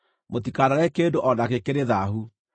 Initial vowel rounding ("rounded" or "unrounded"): rounded